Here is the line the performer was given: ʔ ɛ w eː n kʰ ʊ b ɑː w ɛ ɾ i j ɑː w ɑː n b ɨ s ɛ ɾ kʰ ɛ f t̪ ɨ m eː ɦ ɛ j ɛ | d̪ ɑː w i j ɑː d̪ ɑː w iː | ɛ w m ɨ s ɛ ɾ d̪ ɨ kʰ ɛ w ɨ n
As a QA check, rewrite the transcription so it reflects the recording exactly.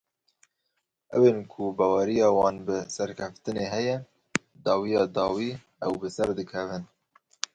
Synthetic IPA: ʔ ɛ w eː n kʰ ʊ b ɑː w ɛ ɾ i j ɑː w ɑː n b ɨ s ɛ ɾ kʰ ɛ f t̪ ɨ n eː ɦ ɛ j ɛ | d̪ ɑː w i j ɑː d̪ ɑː w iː | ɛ w b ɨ s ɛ ɾ d̪ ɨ kʰ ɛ v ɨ n